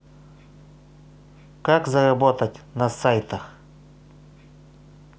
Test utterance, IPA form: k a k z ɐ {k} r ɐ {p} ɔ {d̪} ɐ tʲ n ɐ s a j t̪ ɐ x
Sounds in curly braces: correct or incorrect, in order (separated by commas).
incorrect, incorrect, incorrect